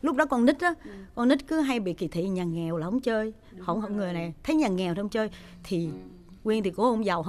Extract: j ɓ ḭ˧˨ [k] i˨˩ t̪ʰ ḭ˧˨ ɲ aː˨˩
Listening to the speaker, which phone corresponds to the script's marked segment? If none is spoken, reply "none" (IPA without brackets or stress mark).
k